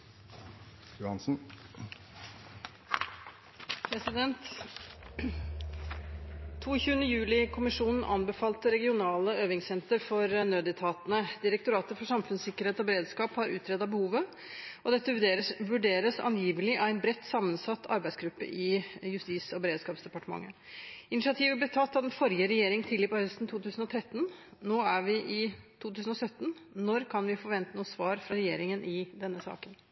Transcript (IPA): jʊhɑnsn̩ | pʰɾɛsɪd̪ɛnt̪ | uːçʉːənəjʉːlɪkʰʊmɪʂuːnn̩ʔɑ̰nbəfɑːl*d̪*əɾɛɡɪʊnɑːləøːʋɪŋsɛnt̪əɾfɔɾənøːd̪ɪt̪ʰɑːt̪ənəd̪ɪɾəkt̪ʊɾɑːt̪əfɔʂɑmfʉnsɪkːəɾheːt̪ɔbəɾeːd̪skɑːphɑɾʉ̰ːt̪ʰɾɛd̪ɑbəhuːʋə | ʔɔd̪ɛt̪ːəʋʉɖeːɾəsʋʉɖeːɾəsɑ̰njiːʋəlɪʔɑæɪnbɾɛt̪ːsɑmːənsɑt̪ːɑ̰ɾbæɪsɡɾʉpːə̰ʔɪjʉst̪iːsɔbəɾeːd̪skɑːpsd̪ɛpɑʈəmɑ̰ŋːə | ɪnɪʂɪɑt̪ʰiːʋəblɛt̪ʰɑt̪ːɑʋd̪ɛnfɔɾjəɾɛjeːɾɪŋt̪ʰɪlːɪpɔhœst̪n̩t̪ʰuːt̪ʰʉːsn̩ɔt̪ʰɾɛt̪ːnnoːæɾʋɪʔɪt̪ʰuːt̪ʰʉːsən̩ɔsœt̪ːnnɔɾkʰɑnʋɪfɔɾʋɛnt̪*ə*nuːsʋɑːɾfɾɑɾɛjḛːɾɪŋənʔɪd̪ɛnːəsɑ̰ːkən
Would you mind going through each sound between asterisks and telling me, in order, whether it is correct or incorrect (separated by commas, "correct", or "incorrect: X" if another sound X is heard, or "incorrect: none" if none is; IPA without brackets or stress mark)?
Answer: incorrect: t̪, correct